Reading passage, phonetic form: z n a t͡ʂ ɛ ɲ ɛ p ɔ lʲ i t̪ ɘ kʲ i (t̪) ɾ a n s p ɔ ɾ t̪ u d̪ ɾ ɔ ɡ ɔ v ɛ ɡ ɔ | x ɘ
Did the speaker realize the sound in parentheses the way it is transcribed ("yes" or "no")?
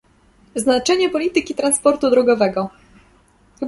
yes